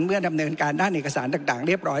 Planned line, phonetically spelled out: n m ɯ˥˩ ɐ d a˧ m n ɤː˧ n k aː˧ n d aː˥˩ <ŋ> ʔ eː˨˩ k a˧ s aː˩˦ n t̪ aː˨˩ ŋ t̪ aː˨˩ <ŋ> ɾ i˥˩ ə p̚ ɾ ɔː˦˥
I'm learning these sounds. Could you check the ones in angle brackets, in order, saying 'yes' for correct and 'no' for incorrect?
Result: no, yes

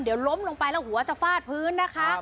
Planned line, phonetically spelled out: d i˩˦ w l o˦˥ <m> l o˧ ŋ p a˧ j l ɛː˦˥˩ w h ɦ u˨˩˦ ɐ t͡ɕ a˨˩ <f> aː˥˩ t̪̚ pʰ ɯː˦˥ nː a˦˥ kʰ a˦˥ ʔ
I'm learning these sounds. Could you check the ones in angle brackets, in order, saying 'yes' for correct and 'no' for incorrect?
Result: yes, yes

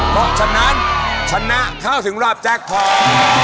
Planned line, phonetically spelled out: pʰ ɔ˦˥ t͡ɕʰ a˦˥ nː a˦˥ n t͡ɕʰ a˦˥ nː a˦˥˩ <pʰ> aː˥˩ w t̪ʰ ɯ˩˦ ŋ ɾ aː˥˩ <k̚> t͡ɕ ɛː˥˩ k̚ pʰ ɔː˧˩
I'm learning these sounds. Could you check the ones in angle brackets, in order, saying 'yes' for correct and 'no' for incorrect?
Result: no, no

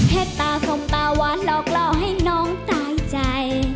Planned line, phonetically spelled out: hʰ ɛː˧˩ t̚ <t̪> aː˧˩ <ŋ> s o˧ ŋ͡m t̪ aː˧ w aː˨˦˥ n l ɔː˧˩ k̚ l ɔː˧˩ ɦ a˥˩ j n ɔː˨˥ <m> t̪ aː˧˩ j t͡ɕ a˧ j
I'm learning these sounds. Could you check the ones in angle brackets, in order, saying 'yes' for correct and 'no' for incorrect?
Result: yes, no, no

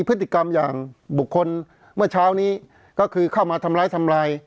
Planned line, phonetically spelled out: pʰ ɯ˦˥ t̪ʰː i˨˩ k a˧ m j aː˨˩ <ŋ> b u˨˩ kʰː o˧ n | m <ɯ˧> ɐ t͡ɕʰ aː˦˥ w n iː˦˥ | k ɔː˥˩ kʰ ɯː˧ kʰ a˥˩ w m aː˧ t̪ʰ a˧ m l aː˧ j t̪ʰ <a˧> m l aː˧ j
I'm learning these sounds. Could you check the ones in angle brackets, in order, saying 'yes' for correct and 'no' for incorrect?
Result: yes, no, yes

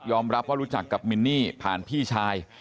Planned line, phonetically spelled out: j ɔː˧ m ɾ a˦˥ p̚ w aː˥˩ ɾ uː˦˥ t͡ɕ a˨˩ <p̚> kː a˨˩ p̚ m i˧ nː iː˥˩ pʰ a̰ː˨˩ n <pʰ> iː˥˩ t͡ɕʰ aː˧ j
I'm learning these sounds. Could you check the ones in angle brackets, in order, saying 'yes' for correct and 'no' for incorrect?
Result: no, yes

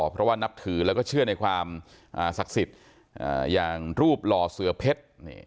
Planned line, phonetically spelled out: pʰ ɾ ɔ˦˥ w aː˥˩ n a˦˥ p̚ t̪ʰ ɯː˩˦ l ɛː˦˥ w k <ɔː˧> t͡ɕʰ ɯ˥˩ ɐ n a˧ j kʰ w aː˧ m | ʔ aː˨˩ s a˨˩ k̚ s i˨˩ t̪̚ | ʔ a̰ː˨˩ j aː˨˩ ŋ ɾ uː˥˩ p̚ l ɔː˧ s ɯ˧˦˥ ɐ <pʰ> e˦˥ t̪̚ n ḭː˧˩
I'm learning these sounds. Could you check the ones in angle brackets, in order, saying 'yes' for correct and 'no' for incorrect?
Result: no, yes

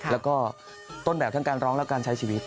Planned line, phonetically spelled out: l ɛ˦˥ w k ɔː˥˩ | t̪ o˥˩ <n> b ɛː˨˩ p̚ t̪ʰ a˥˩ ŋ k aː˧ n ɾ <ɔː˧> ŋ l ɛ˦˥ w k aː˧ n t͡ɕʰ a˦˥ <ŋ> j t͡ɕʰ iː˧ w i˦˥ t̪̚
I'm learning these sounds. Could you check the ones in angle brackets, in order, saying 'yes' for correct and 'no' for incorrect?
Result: yes, no, no

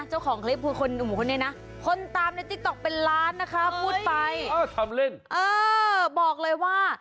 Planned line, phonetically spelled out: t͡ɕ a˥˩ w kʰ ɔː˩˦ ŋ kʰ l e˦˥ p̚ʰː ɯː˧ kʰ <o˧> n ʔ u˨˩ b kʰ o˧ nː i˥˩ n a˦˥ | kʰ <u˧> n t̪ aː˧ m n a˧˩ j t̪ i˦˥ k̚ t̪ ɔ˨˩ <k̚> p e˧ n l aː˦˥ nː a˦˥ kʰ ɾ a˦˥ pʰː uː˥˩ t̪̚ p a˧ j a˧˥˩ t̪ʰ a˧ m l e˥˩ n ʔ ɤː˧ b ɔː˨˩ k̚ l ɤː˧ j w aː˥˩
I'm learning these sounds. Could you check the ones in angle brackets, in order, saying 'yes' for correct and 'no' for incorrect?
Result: yes, no, yes

